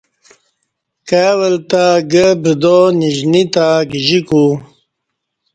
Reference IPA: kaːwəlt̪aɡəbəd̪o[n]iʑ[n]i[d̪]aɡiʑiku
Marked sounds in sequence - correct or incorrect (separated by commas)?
correct, correct, incorrect